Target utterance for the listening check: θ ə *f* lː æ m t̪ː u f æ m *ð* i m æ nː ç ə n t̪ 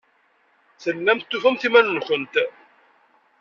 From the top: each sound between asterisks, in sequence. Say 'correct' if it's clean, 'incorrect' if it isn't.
incorrect: none, incorrect: θ

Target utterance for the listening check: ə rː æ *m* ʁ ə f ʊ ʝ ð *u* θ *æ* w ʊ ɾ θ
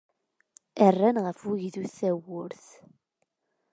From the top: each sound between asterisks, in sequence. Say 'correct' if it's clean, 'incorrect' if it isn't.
incorrect: n, correct, correct

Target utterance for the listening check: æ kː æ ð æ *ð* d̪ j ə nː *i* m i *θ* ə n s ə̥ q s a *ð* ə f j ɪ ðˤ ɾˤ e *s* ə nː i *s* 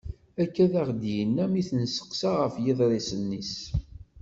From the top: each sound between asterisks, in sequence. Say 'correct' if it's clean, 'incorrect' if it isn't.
incorrect: ʁ, incorrect: æ, correct, incorrect: ʁ, correct, correct

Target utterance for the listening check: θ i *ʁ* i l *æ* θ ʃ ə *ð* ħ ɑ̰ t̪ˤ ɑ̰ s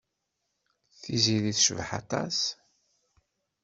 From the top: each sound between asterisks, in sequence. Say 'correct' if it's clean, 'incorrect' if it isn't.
incorrect: z, incorrect: i, incorrect: v

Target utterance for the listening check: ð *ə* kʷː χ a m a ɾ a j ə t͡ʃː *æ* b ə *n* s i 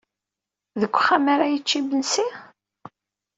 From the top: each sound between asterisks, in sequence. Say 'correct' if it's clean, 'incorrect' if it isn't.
correct, incorrect: i, correct

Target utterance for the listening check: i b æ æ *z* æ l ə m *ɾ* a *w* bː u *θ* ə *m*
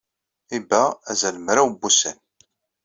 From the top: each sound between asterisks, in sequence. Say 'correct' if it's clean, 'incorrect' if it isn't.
correct, correct, correct, incorrect: s, incorrect: n

